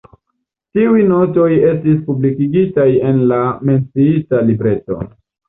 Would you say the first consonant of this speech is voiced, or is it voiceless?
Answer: voiceless